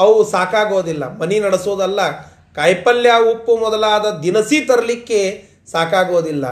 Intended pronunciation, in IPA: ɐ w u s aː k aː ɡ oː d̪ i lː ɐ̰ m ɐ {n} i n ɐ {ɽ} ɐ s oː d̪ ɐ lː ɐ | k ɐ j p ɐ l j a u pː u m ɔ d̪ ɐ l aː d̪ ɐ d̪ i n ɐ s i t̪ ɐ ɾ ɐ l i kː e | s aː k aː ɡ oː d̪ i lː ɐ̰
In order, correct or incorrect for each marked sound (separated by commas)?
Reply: correct, correct